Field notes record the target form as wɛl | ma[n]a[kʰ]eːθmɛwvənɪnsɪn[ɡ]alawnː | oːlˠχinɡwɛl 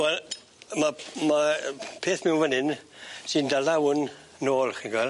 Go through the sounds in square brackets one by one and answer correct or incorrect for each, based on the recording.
incorrect, incorrect, incorrect

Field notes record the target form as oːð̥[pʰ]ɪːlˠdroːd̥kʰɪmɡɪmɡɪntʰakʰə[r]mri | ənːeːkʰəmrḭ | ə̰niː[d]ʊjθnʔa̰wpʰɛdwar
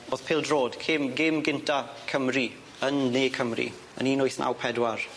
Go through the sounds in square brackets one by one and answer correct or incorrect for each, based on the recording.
correct, incorrect, incorrect

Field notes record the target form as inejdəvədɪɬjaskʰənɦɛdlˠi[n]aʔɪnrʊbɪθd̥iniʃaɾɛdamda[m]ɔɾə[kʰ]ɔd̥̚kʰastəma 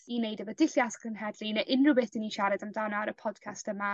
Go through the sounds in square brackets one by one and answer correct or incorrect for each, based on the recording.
correct, incorrect, incorrect

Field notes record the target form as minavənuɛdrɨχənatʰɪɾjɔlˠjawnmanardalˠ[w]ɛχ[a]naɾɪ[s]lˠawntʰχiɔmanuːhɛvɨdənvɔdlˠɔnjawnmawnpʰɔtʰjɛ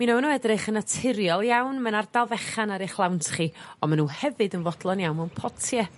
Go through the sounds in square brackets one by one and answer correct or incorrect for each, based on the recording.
incorrect, correct, incorrect

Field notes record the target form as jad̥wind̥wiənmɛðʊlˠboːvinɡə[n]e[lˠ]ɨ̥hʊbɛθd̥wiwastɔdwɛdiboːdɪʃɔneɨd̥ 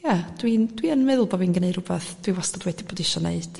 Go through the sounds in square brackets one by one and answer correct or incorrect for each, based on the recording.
correct, incorrect

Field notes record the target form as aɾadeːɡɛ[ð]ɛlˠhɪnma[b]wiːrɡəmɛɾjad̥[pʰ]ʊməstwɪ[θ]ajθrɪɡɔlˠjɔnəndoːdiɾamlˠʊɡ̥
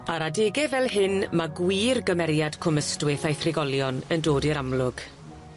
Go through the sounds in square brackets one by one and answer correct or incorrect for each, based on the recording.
incorrect, incorrect, incorrect, correct

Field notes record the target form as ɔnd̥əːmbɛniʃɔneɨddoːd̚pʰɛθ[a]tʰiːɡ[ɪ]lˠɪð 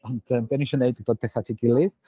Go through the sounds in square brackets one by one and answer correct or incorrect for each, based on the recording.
correct, correct

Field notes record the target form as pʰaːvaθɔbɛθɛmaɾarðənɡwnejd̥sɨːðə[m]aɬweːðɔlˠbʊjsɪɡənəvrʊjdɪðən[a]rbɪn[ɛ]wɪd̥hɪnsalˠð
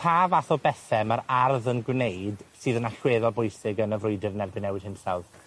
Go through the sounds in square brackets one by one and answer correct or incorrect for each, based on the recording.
incorrect, incorrect, correct

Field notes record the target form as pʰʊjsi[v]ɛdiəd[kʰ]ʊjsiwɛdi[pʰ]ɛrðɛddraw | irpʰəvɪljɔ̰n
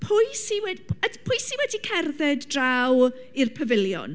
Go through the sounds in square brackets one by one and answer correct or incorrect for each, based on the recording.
incorrect, incorrect, incorrect

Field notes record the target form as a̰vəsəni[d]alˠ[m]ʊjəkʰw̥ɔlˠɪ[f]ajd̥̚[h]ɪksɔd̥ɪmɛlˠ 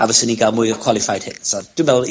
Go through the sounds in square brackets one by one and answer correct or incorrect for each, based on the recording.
incorrect, correct, correct, correct

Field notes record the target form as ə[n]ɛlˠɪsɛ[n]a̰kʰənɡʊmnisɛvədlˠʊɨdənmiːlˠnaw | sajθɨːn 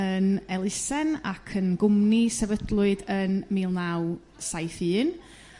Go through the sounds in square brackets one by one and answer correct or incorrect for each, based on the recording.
correct, correct

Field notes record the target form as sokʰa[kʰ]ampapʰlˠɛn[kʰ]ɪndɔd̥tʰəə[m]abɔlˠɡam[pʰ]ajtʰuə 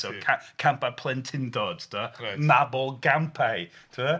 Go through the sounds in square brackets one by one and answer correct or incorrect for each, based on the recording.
correct, incorrect, incorrect, correct

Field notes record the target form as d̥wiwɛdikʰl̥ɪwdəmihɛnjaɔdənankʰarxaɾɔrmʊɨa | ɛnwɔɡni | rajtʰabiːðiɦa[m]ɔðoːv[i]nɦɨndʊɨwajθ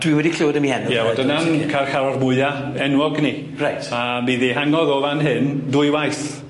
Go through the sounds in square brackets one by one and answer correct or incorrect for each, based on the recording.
incorrect, incorrect

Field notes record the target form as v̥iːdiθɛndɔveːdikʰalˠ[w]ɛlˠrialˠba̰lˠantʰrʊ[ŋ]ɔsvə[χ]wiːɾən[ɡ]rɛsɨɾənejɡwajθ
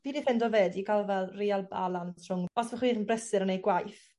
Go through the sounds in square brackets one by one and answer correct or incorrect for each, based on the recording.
incorrect, correct, correct, incorrect

